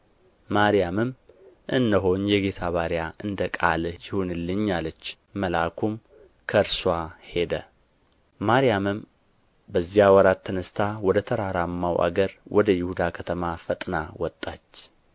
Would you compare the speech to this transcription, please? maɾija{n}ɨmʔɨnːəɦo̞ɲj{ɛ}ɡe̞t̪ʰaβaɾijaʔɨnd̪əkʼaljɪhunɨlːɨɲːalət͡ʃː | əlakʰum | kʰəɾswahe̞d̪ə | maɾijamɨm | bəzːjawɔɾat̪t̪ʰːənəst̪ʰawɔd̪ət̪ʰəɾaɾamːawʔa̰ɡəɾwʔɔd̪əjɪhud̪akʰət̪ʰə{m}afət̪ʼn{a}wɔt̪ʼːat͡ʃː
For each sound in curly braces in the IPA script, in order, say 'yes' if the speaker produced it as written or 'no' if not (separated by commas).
no, yes, yes, yes